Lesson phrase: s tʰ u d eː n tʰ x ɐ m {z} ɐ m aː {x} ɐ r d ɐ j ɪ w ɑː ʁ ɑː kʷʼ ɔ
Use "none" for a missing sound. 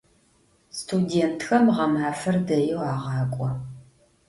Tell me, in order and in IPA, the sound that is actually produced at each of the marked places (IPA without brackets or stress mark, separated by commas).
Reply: ʁ, f